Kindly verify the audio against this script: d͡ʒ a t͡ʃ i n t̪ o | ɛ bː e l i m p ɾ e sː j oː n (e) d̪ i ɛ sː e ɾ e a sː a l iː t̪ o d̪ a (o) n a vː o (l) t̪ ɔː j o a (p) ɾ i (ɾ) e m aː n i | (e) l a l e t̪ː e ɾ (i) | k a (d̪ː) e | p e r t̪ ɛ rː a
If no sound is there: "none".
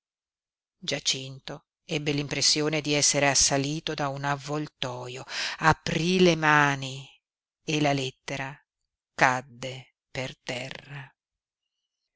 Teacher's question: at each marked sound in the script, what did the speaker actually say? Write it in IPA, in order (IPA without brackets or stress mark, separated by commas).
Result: e, u, l, p, l, e, a, d̪ː